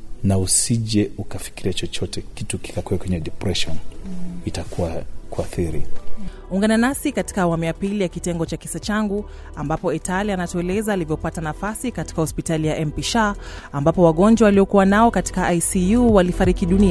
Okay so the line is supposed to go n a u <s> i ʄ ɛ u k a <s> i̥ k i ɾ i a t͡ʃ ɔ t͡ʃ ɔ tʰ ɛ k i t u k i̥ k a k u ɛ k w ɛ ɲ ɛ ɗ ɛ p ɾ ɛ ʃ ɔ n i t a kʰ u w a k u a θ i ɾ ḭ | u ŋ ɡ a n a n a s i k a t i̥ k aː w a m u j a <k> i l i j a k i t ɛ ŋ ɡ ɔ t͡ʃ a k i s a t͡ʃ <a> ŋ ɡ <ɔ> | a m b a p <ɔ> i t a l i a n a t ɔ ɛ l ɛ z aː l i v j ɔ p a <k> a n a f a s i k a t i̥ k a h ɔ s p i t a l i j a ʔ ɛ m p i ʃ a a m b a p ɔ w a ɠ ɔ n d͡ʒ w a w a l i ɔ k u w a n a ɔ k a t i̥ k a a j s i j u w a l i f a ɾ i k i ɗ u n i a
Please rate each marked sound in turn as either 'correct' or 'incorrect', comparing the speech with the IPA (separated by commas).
correct, incorrect, incorrect, correct, incorrect, correct, incorrect